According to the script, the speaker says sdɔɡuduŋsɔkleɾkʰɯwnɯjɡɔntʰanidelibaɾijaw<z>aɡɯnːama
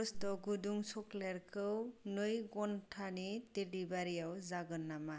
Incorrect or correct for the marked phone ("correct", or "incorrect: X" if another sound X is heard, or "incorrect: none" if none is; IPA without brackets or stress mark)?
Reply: correct